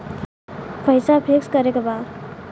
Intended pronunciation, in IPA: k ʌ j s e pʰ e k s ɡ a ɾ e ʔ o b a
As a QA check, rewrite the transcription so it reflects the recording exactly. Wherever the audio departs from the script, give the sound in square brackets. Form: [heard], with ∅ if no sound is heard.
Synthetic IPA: [p] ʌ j s [a] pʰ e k s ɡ [ʌ] ɾ e [k] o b a